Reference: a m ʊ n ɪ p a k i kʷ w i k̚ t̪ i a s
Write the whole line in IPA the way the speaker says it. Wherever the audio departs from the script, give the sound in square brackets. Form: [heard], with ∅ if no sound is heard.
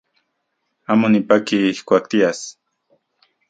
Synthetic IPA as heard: a m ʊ n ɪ p a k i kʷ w [a] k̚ t̪ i a s